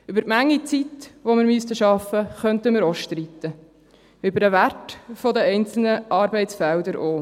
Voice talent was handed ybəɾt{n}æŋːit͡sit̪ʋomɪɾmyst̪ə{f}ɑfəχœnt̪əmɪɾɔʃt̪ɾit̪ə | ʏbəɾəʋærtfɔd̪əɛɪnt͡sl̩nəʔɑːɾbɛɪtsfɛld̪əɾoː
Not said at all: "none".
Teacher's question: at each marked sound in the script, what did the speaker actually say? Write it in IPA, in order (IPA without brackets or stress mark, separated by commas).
m, ʃ